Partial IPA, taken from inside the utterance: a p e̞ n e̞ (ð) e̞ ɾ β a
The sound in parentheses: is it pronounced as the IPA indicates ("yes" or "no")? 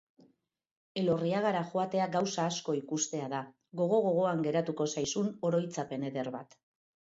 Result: yes